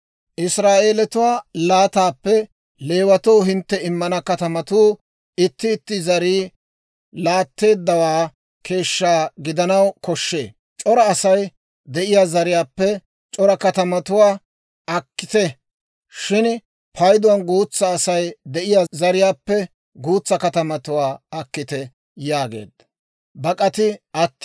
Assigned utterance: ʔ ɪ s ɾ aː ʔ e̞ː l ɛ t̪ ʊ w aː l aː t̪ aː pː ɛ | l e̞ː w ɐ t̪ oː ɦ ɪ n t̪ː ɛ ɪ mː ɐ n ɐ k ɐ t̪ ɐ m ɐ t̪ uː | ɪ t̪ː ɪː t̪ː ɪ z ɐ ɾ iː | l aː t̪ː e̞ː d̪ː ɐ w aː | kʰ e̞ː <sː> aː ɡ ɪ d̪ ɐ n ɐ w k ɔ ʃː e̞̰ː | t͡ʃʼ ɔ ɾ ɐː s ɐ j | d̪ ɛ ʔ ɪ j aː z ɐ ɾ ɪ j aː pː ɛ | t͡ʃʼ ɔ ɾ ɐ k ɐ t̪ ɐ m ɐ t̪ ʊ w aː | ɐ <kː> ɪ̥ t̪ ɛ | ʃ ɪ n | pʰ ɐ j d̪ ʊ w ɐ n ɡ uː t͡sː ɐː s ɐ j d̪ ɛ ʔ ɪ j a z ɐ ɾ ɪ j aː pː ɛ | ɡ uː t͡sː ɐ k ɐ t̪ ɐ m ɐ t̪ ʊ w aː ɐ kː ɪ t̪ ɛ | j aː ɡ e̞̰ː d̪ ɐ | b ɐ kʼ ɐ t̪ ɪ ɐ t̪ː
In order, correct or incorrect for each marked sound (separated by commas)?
incorrect, correct